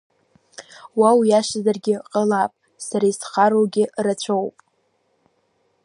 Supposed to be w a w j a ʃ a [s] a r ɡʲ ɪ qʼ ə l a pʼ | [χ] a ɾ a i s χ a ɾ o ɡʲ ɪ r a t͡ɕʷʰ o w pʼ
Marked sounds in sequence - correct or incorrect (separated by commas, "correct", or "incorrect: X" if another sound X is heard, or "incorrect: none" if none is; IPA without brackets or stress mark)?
incorrect: z, incorrect: s